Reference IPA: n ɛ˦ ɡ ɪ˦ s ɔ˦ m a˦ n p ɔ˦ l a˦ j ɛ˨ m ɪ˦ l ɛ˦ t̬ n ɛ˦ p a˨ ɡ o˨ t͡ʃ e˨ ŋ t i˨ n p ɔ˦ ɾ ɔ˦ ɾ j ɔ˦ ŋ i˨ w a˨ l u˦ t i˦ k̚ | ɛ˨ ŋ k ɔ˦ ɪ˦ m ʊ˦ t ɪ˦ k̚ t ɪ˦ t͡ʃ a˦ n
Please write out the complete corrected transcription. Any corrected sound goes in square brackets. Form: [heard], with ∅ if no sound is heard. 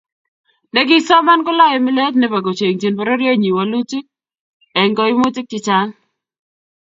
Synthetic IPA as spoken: n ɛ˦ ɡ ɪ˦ s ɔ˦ m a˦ n [k] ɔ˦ l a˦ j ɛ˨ m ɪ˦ l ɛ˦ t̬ n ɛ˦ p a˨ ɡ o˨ t͡ʃ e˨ ŋ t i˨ n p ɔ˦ ɾ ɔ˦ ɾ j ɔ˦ [ɲ] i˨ w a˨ l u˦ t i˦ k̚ | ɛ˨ ŋ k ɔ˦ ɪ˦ m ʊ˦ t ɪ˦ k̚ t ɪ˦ t͡ʃ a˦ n